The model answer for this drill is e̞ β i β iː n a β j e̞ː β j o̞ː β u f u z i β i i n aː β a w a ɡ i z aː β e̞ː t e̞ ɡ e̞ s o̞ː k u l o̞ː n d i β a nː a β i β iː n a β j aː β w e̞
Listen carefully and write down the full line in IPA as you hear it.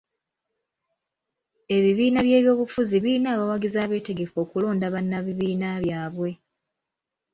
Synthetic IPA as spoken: e̞ β i β iː n a β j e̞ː β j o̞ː β u f u z i β i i n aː β a w a ɡ i z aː β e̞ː t e̞ ɡ e̞ f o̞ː k u l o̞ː n d a β a nː a β i β iː n a β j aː β w e̞